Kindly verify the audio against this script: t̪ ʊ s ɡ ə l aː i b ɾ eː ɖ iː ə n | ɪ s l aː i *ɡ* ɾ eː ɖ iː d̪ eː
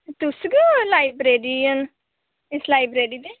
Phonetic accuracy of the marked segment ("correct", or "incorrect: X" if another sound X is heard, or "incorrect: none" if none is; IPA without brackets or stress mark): incorrect: b